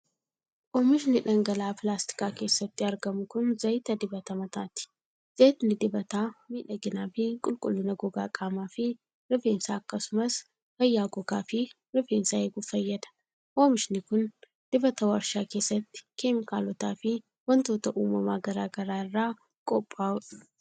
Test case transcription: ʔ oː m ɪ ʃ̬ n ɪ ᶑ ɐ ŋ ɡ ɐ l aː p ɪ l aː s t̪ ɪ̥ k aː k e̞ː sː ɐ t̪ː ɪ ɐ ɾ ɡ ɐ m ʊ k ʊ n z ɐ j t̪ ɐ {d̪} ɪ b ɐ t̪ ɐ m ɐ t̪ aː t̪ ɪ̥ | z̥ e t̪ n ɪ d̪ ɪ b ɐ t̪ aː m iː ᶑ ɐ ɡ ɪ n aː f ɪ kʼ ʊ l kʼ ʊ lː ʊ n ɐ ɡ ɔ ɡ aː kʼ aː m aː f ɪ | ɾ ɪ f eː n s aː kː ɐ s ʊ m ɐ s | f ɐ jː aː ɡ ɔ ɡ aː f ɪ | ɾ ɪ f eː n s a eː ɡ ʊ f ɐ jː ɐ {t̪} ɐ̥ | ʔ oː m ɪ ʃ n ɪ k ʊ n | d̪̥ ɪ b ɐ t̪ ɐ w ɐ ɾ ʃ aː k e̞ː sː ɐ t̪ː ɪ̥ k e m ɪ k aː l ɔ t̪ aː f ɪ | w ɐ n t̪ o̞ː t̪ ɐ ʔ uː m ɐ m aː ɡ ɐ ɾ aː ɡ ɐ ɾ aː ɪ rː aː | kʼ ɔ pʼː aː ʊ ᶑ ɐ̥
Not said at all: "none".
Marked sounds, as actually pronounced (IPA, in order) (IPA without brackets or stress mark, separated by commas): d̪, d̪